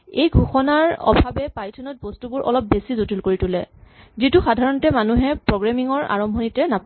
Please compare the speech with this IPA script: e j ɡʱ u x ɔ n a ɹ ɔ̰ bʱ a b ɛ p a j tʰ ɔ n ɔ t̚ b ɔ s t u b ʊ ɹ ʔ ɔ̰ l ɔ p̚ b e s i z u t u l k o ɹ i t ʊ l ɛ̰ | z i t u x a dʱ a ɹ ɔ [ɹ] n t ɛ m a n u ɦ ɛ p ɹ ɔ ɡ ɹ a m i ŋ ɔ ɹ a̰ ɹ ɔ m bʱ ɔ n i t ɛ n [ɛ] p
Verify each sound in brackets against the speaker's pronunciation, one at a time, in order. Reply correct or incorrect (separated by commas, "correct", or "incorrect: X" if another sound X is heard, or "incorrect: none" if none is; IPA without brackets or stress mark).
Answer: incorrect: none, incorrect: a